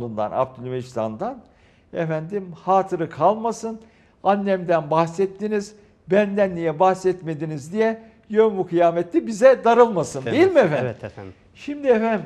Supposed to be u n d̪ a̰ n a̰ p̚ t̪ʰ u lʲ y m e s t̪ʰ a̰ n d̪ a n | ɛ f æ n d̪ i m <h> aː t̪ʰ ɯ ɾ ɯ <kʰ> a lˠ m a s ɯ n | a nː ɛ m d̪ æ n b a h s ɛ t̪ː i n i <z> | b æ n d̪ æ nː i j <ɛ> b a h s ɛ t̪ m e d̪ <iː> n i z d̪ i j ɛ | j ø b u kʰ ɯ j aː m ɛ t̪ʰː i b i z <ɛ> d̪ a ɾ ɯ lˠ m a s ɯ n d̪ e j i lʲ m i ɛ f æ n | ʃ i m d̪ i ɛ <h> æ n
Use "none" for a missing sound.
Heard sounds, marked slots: h, kʰ, z, ɛ, i, ɛ, f

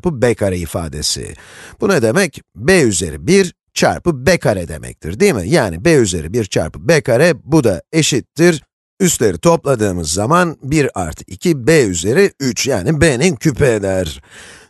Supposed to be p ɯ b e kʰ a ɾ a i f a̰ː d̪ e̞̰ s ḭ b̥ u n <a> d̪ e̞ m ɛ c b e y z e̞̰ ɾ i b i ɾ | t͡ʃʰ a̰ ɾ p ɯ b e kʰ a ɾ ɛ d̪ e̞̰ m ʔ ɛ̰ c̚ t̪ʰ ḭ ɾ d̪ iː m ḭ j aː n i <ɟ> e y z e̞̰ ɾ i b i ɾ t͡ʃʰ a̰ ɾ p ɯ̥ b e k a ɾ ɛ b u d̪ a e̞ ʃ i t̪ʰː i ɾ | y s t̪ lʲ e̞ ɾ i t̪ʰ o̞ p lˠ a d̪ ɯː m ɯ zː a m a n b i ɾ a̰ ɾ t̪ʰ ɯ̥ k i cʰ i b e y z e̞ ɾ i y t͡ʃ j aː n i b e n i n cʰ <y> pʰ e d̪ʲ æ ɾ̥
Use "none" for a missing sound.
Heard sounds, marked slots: a, b, y

